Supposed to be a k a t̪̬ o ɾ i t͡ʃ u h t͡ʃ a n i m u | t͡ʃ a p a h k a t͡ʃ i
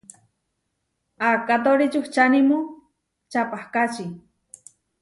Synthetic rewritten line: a k a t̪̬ o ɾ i t͡ʃ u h t͡ʃ a n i m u | t͡ʃ a p a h k a t͡ʃ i

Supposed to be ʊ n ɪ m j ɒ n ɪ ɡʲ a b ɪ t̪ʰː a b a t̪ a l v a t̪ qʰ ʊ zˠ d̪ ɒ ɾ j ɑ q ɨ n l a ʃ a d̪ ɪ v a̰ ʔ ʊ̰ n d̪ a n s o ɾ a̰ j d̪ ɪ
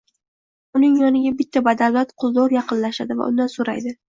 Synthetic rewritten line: ʊ n ɪ ŋ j ɒ n ɪ ɡʲ a b ɪ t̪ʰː a b a d̪ a l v a t̪ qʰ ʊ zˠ d̪ ɒ ɾ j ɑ q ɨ n l a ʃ a d̪ ɪ v a̰ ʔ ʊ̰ n d̪ a n s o ɾ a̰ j d̪ ɪ

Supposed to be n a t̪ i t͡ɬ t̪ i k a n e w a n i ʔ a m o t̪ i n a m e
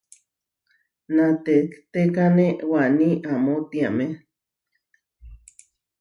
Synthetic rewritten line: n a t̪ e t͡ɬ t̪ e k a n e w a n i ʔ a m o t̪ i a m e

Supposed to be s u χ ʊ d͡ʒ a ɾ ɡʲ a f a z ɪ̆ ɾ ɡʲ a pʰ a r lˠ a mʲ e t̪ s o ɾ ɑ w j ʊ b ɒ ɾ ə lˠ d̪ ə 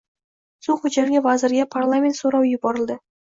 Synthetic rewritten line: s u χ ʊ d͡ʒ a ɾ ɡʲ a v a z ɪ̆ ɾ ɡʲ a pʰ a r lˠ a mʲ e t̪ s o ɾ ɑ w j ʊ b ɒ ɾ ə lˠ d̪ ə

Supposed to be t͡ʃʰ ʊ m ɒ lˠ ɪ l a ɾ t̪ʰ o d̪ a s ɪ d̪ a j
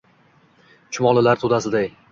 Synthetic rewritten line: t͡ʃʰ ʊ m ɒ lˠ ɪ l a ɾ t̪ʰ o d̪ a s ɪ d̪ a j

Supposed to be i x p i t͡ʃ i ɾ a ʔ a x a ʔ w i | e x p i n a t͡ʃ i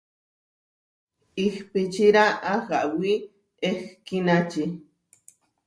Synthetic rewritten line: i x p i t͡ʃ i ɾ a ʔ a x a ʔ w i | e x k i n a t͡ʃ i

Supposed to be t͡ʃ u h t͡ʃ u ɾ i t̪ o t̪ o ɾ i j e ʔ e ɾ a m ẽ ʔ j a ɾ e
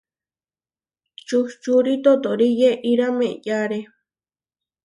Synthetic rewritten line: t͡ʃ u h t͡ʃ u ɾ i t̪ o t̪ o ɾ i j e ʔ i ɾ a m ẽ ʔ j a ɾ e

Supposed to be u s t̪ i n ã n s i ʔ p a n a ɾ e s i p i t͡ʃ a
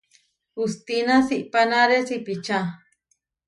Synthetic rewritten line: u s t̪ i n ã s i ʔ p a n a ɾ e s i p i t͡ʃ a

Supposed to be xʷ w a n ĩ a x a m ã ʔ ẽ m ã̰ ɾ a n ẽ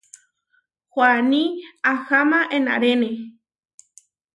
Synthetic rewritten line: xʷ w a n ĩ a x a m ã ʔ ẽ n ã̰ ɾ e n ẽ

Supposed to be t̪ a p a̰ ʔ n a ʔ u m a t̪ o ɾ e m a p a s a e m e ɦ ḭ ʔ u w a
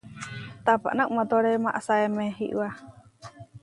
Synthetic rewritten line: t̪ a p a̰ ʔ n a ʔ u m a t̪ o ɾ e m a ʔ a s a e m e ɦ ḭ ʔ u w a

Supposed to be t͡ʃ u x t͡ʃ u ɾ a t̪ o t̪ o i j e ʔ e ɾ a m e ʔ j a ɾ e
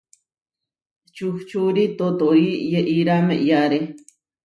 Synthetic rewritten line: t͡ʃ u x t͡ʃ u ɾ i t̪ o t̪ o i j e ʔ i ɾ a m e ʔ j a ɾ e

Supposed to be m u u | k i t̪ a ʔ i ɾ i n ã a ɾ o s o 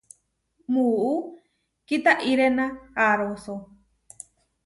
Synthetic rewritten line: m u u | k i t̪ a ʔ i ɾ e n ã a ɾ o s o

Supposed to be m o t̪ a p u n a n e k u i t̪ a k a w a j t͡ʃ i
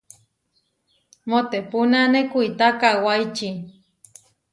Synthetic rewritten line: m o t̪ e p u n a n e k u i t̪ a k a w a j t͡ʃ i

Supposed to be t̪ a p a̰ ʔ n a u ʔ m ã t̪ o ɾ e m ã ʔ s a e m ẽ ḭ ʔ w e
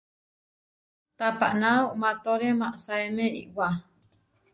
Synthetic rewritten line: t̪ a p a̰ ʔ n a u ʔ m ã t̪ o ɾ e m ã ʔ s a e m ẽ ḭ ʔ w a

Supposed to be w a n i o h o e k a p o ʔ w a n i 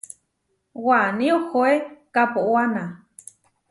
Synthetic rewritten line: w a n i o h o e k a p o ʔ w a n a

